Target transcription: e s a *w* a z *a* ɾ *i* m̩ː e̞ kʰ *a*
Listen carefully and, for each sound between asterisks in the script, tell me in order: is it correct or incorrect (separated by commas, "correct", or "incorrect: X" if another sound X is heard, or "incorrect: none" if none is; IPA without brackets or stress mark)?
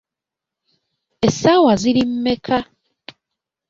correct, incorrect: i, correct, correct